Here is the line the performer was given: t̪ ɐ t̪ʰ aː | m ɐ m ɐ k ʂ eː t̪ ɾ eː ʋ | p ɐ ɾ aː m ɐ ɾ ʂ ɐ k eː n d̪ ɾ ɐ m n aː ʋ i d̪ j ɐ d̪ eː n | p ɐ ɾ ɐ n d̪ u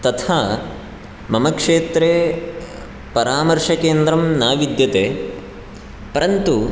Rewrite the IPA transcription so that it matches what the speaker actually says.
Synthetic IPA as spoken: t̪ ɐ t̪ʰ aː | m ɐ m ɐ k ʂ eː t̪ ɾ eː | p ɐ ɾ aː m ɐ ɾ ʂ ɐ k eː n d̪ ɾ ɐ m n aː ʋ i d̪ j ɐ t̪ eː | p ɐ ɾ ɐ n t̪ u